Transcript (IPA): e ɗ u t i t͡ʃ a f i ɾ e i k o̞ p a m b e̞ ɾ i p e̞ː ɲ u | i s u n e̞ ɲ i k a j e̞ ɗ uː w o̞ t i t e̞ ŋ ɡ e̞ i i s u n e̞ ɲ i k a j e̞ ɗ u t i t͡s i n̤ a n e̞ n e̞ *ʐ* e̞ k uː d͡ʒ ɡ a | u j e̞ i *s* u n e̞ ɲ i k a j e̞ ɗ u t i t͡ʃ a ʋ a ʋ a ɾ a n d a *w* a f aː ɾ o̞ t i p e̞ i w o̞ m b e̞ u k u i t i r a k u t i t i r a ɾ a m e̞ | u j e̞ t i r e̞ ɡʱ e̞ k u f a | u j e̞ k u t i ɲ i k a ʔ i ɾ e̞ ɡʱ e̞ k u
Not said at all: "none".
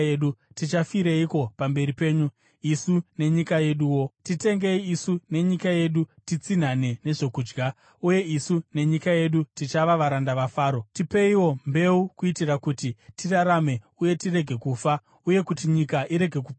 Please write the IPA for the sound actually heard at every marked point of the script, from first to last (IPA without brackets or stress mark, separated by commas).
ʐ, s, ʋ